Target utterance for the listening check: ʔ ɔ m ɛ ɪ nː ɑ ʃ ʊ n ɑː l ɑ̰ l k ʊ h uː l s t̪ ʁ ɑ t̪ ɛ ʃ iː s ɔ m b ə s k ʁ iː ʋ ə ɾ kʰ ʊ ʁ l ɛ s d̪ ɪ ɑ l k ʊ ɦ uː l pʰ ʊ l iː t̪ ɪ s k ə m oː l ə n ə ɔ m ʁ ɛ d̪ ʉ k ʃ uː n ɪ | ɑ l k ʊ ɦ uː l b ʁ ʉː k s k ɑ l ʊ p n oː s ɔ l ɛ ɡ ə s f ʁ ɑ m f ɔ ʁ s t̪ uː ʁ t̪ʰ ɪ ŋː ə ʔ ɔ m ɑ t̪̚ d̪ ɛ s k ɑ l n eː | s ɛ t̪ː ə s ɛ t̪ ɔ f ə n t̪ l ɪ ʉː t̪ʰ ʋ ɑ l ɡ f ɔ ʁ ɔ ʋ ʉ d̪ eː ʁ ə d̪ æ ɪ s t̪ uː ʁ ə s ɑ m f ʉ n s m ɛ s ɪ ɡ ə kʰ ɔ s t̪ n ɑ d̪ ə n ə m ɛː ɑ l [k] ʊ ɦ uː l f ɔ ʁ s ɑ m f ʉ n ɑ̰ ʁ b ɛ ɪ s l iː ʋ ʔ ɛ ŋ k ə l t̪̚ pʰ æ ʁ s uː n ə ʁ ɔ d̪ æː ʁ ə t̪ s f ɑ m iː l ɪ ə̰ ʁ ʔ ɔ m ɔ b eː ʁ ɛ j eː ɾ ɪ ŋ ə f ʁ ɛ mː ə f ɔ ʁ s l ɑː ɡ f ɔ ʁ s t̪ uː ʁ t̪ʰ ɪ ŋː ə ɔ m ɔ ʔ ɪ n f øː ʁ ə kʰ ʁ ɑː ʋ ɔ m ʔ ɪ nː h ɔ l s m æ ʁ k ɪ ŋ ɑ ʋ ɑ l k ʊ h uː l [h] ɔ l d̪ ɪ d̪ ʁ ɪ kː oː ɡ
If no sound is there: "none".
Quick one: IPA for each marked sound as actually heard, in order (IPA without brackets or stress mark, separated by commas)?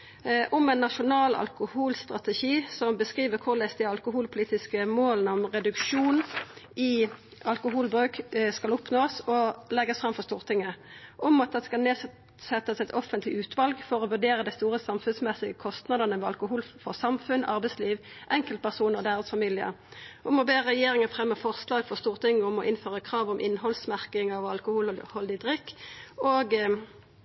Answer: k, h